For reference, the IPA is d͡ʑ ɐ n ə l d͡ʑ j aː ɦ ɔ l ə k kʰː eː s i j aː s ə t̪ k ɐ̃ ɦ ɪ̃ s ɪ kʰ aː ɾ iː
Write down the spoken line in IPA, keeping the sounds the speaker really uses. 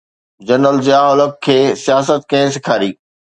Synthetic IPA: d͡ʑ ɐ n ə l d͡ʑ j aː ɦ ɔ l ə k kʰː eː s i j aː s ə t̪ k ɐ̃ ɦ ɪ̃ s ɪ kʰ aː ɾ iː